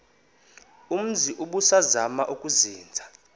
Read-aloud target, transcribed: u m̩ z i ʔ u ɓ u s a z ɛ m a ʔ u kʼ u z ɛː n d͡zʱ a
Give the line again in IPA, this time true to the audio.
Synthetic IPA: u m̩ z i ʔ u ɓ u s a z a m a ʔ u kʼ u z iː n d͡zʱ a